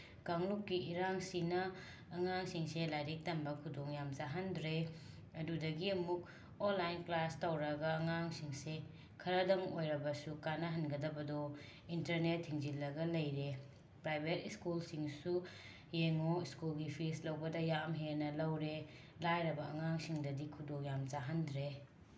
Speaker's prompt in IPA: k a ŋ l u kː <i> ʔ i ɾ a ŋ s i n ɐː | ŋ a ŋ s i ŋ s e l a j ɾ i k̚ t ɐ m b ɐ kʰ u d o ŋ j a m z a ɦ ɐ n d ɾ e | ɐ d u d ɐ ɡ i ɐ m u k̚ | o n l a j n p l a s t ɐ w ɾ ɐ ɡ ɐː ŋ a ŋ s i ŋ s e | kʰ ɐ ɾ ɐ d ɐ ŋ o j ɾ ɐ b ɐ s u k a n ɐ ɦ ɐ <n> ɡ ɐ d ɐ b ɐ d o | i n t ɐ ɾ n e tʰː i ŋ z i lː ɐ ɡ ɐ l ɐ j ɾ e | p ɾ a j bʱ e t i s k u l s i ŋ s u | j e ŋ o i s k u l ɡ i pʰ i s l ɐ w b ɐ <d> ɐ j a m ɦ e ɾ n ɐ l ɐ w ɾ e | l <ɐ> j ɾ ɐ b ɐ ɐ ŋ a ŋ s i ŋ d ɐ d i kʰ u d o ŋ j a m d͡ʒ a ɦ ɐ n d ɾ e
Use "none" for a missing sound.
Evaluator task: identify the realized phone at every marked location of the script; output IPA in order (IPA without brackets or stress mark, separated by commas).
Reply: i, n, d, a